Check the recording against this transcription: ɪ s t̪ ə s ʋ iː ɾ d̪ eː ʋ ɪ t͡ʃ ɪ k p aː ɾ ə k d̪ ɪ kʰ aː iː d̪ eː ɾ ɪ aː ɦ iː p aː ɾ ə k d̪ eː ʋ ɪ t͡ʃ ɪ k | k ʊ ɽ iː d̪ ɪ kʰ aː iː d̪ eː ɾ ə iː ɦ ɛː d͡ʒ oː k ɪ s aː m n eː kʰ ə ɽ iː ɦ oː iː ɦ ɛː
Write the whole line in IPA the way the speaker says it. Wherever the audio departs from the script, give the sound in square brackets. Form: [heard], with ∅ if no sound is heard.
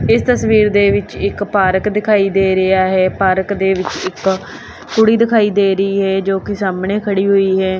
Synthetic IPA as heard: ɪ s t̪ ə s ʋ iː ɾ d̪ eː ʋ ɪ t͡ʃ ɪ k p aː ɾ ə k d̪ ɪ kʰ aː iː d̪ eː ɾ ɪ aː ɦ [ɛː] p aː ɾ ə k d̪ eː ʋ ɪ t͡ʃ ɪ k | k ʊ ɽ iː d̪ ɪ kʰ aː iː d̪ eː ɾ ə iː ɦ ɛː d͡ʒ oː k ɪ s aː m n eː kʰ ə ɽ iː ɦ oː iː ɦ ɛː

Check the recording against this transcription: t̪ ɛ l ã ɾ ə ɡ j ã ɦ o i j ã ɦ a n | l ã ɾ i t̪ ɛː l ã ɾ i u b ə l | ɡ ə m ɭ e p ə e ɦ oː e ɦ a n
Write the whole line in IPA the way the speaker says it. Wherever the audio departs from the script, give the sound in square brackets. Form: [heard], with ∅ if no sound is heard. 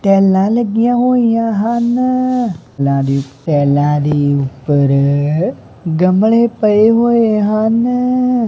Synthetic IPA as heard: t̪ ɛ l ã [l] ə ɡ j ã ɦ o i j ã ɦ a n | l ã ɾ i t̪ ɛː l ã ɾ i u [p] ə [ɾ] | ɡ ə m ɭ e p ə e ɦ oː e ɦ a n

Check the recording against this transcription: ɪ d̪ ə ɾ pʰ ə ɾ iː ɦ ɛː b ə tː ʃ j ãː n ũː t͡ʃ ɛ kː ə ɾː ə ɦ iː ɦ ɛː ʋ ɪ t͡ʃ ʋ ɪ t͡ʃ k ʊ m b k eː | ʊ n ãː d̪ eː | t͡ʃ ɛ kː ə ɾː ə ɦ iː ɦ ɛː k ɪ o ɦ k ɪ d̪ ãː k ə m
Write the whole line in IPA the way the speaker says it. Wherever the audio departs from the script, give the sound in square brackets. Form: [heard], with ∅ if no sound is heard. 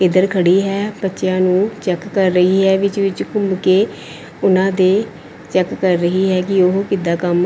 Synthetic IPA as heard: ɪ d̪ ə ɾ [kʰ] ə [ɽ] iː ɦ ɛː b ə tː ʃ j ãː n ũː t͡ʃ ɛ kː ə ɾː ə ɦ iː ɦ ɛː ʋ ɪ t͡ʃ ʋ ɪ t͡ʃ k ʊ m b k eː | ʊ n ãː d̪ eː | t͡ʃ ɛ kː ə ɾː ə ɦ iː ɦ ɛː k ɪ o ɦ k ɪ d̪ [aː] k ə m

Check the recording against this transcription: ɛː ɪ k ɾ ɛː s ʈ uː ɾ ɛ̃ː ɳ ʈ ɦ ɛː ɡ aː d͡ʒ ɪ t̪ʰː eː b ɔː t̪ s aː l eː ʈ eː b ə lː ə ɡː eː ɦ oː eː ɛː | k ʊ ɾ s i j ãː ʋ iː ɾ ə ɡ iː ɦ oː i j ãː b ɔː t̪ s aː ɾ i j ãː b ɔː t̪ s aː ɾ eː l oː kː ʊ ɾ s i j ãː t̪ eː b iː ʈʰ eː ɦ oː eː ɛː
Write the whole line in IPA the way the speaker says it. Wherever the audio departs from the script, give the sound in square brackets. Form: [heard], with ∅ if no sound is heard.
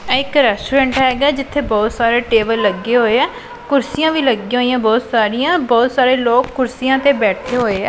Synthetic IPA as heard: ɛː ɪ k ɾ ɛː s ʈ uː ɾ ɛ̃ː ɳ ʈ ɦ ɛː ɡ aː d͡ʒ ɪ t̪ʰː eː b ɔː t̪ s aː [ɾ] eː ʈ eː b ə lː ə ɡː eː ɦ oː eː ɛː | k ʊ ɾ s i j ãː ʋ iː [l] ə ɡ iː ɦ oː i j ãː b ɔː t̪ s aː ɾ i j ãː b ɔː t̪ s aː ɾ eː l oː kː ʊ ɾ s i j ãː t̪ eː b [ɛː] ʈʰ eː ɦ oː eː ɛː

